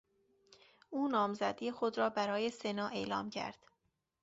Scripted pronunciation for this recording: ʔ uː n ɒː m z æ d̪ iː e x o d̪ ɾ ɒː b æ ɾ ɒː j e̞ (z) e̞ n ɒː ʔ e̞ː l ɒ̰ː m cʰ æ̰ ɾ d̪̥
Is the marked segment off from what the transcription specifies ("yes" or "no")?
yes